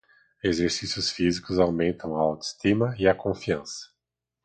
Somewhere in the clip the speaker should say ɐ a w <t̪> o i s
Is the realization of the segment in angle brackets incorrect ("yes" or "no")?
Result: no